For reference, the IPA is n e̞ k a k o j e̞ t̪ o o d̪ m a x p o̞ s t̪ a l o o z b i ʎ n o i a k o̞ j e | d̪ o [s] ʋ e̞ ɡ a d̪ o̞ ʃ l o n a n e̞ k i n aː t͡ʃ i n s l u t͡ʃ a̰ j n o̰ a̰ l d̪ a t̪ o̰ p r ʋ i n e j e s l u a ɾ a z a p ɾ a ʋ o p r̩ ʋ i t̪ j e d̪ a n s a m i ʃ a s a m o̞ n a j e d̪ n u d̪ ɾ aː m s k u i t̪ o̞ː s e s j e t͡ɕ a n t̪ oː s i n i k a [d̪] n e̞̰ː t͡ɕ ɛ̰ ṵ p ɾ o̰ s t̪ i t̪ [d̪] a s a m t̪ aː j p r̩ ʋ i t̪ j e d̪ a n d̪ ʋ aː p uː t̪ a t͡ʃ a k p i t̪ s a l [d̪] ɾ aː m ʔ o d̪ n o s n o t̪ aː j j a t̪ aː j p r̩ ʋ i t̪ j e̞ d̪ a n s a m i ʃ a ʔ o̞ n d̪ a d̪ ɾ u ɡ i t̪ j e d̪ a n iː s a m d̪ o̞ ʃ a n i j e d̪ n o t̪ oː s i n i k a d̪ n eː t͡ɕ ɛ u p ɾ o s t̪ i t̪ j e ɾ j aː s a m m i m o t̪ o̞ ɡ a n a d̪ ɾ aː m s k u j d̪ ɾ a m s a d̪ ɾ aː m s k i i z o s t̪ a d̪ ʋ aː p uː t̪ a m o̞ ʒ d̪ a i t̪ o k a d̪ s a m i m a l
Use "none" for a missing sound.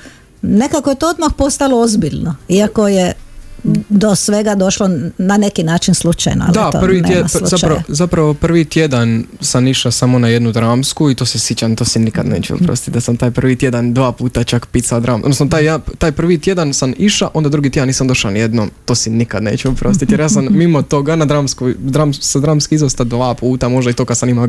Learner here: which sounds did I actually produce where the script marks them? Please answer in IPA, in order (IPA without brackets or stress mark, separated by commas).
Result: s, d̪, d̪, d̪